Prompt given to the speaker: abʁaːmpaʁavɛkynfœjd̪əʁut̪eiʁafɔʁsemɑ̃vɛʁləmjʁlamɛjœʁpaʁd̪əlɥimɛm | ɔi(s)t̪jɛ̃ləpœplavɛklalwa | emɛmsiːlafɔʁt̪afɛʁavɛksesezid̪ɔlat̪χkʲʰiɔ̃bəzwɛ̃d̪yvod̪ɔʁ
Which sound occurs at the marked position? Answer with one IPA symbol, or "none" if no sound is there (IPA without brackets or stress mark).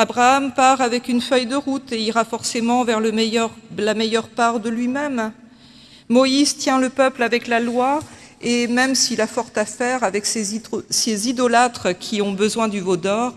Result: z